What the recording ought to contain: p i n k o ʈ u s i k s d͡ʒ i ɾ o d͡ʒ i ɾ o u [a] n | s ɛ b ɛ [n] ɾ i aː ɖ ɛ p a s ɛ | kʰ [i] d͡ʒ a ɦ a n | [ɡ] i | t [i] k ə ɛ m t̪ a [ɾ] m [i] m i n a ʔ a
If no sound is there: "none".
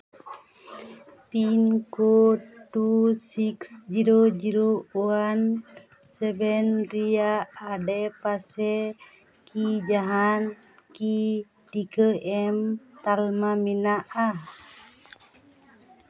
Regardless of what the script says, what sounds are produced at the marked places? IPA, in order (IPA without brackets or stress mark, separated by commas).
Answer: a, n, i, k, i, l, a